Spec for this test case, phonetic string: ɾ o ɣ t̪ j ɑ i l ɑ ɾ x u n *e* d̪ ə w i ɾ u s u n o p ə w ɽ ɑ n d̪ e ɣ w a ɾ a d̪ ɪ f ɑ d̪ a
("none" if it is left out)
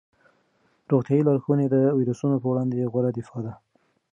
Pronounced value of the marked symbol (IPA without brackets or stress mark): e